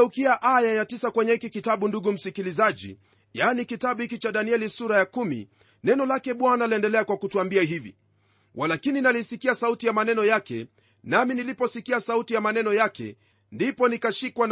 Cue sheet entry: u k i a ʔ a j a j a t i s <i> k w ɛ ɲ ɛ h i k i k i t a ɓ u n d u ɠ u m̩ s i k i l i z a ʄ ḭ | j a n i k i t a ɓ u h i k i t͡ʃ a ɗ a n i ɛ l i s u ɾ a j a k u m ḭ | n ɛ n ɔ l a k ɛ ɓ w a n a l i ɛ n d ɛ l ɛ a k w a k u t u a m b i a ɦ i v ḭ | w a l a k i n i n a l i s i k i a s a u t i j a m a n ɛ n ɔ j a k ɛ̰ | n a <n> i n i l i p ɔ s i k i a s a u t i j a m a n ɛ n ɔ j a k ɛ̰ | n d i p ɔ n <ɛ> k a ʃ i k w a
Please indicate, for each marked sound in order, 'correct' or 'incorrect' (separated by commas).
incorrect, incorrect, incorrect